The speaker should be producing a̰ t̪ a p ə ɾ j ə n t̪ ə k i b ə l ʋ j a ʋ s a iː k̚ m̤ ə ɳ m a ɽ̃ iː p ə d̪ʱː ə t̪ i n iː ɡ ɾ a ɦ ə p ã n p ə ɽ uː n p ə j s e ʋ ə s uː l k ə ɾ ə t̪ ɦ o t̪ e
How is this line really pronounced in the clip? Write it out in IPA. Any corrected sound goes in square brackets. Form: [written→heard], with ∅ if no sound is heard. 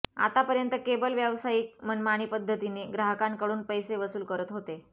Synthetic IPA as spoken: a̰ t̪ a p ə ɾ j ə n t̪ ə k [i→e] b ə l ʋ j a ʋ s a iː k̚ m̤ ə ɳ m a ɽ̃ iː p ə d̪ʱː ə t̪ i n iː ɡ ɾ a ɦ ə [p→k] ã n [p→k] ə ɽ uː n p ə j s e ʋ ə s uː l k ə ɾ ə t̪ ɦ o t̪ e